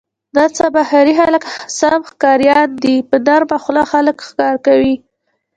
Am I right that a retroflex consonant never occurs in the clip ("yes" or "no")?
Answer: yes